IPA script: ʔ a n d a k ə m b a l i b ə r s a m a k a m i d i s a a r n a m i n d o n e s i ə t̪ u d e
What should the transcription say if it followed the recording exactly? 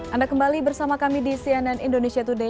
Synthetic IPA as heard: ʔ a n d a k ə m b a l i b ə r s a m a k a m i d i s i a n a n i n d o n e s i a t̪ u d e